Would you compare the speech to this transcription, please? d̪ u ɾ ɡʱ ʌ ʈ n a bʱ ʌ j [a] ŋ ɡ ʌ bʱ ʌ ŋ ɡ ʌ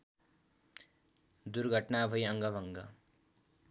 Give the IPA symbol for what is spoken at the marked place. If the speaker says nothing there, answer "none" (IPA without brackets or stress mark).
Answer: ʌ